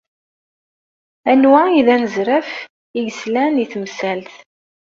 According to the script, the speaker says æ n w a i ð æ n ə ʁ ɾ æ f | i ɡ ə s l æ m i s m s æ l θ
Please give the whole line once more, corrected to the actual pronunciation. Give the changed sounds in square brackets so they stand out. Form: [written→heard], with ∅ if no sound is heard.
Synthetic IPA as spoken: æ n w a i ð æ n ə [ʁ→z] ɾ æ f | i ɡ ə s l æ [m→n] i [s→θ] m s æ l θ